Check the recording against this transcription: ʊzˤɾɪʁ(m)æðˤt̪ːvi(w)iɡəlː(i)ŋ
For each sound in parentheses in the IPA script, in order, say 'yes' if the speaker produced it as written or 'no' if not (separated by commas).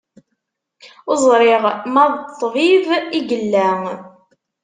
yes, no, no